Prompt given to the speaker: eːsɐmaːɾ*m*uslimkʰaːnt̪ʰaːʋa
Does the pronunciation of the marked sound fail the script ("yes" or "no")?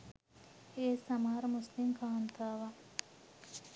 no